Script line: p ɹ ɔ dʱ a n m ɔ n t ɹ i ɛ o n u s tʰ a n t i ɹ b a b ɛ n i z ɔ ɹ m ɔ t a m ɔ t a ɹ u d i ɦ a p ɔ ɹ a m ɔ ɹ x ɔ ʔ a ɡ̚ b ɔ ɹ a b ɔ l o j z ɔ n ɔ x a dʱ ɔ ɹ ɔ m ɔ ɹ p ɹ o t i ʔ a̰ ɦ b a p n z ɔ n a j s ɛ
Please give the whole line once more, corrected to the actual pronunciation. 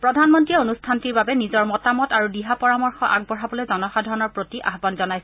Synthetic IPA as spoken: p ɹ ɔ dʱ a n m ɔ n t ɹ i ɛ o n u s tʰ a n t i ɹ b a b ɛ n i z ɔ ɹ m ɔ t a m ɔ t a ɹ u d i ɦ a p ɔ ɹ a m ɔ ɹ x ɔ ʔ a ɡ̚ b ɔ ɹ a b ɔ l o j z ɔ n ɔ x a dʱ ɔ ɹ ɔ n ɔ ɹ p ɹ o t i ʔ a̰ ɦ b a n z ɔ n a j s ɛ